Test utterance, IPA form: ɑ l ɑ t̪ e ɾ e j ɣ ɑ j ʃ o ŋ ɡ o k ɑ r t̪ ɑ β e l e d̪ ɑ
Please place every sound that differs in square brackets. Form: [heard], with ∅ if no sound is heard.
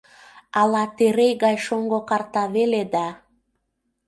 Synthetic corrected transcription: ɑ l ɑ t̪ e ɾ e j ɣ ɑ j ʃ o ŋ ɡ o k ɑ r t̪ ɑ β e l e d̪ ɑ